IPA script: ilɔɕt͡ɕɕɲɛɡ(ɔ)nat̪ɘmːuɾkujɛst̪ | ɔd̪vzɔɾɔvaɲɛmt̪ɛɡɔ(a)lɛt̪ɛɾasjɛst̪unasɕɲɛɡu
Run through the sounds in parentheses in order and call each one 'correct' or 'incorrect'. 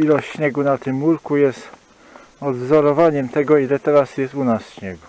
incorrect: u, incorrect: i

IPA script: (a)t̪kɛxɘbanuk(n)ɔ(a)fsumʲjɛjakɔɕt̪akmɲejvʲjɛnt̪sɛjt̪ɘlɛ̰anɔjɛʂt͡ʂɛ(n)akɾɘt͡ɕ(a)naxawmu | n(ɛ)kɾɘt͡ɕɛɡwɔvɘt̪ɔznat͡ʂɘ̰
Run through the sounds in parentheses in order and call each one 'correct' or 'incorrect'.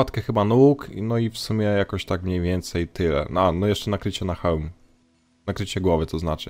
correct, correct, incorrect: i, correct, incorrect: ɛ, incorrect: a

